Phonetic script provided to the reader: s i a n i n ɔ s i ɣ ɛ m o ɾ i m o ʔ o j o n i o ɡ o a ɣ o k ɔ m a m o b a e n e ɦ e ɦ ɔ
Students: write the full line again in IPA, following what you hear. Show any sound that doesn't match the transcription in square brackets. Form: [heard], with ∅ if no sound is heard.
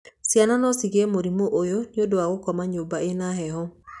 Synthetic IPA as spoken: s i a n [a] n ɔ s i ɣ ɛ m o ɾ i m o ʔ o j o n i o [d] o a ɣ o k ɔ m a [ɲ] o b a e n [a] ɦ [ɛ] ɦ ɔ